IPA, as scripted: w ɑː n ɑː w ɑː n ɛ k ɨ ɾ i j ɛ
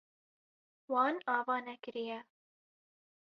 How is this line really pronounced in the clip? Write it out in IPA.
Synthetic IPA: w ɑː n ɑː v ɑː n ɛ k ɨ ɾ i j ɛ